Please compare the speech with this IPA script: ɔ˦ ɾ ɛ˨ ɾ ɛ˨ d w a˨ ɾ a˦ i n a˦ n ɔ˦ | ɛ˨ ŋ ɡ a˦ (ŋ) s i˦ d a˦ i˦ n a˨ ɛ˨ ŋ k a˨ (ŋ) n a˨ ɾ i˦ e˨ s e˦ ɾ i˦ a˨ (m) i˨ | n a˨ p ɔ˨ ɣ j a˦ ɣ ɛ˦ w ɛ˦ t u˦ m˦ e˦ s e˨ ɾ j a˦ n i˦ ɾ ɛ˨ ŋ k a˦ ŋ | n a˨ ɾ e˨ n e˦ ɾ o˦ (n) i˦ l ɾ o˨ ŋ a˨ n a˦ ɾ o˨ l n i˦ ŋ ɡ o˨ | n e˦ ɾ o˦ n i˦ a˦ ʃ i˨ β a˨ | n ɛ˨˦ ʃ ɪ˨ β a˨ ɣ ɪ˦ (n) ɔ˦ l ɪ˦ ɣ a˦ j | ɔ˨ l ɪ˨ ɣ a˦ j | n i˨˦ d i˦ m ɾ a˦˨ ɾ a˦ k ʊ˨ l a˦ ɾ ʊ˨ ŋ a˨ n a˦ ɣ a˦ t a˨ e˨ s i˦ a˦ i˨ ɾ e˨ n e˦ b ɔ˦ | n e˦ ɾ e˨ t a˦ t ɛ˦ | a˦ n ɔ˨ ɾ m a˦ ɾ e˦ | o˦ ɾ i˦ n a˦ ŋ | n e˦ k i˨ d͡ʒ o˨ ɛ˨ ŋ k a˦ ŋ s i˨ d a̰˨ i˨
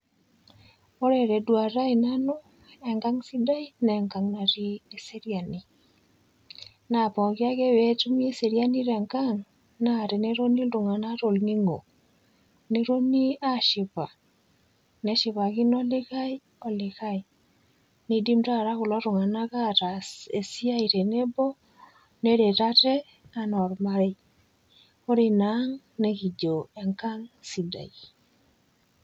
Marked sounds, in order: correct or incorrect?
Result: correct, correct, incorrect: n, correct, correct

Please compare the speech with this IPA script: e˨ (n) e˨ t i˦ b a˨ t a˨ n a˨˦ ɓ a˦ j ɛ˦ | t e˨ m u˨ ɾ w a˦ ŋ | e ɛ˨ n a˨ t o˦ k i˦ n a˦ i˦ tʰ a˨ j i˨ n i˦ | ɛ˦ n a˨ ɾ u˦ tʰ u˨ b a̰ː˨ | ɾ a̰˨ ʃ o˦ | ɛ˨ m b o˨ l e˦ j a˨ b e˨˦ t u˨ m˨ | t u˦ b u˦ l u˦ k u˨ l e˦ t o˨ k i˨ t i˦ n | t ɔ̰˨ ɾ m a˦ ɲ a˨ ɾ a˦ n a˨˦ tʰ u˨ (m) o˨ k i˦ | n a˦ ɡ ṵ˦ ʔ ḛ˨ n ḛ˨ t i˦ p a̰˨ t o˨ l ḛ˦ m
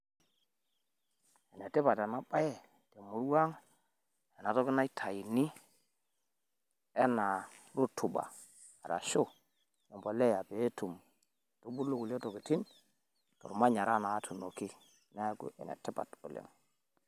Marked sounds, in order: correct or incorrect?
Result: correct, incorrect: n

